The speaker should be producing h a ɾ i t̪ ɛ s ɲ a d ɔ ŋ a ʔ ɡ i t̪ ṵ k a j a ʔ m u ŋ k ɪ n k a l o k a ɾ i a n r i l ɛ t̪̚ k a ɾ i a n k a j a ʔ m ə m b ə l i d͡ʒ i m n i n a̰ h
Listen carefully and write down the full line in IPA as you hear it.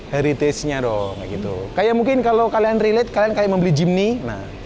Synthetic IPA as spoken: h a ɾ i t̪ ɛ s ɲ a d ɔ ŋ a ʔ ɡ i t̪ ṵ k a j a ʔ m u ŋ k ɪ n k a l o k a l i a n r i l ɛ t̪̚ k a l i a n k a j a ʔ m ə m b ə l i d͡ʒ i m n i n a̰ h